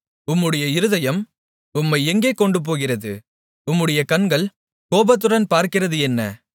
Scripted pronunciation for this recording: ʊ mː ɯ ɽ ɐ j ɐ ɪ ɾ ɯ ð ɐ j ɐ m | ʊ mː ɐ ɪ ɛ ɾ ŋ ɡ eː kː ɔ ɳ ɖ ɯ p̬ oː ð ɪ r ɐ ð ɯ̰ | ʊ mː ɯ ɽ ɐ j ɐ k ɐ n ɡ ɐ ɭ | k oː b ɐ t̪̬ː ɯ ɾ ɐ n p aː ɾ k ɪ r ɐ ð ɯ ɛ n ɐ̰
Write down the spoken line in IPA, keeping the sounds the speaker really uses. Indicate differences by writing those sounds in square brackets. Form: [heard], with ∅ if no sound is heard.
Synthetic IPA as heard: ʊ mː ɯ ɽ ɐ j ɐ ɪ ɾ ɯ ð ɐ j ɐ m | ʊ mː ɐ ɪ ɛ [∅] ŋ ɡ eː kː ɔ ɳ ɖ ɯ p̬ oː [ɣ] ɪ r ɐ ð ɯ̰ | ʊ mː ɯ ɽ ɐ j ɐ k ɐ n ɡ ɐ ɭ | k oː b ɐ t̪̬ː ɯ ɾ ɐ n p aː ɾ k ɪ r ɐ ð ɯ ɛ [nː] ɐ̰